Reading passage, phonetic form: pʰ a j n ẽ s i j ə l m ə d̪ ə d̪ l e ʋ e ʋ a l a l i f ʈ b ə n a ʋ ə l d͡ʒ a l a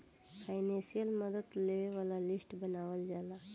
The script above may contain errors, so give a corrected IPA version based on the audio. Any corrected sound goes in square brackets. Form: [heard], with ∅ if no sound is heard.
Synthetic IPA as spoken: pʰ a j n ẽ s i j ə l m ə d̪ ə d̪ l e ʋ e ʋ a l a l i [s] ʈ b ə n a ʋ ə l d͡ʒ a l a